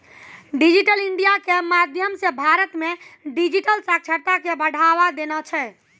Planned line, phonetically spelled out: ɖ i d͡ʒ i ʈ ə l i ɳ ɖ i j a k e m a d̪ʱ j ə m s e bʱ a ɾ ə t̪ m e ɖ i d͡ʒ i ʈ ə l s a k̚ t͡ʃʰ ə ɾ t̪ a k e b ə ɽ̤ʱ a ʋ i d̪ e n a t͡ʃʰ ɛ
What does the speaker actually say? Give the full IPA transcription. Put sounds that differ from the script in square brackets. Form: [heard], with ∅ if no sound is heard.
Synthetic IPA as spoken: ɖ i d͡ʒ i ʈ ə l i ɳ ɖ i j a k e m a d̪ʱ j ə m s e bʱ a ɾ ə t̪ m e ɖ i d͡ʒ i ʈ ə l s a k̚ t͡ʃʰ ə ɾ t̪ a k e b ə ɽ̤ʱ a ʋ [a] d̪ e n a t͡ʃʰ ɛ